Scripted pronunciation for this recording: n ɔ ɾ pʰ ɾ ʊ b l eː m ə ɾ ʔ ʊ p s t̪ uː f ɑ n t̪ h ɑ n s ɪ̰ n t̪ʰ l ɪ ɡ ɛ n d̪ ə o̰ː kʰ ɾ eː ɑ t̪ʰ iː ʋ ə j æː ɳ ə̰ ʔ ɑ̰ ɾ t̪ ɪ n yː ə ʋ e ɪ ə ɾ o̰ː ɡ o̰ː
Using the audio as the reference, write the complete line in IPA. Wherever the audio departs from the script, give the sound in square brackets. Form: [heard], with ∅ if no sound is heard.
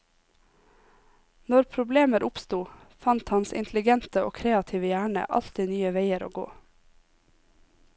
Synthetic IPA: n ɔ ɾ pʰ ɾ ʊ b l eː m ə ɾ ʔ ʊ p s t̪ uː f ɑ n t̪ h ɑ n s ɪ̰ n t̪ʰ l ɪ ɡ ɛ n [t̪] ə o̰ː kʰ ɾ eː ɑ t̪ʰ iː ʋ ə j æː ɳ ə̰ ʔ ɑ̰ [l] t̪ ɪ n yː ə ʋ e ɪ ə ɾ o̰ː ɡ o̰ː